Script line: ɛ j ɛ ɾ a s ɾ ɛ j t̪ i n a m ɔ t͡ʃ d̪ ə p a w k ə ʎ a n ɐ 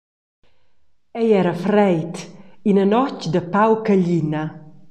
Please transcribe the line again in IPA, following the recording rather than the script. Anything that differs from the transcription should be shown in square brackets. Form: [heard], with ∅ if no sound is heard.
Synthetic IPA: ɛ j ɛ ɾ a [f] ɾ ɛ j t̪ i n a [n] ɔ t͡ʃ d̪ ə p a w k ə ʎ [i] n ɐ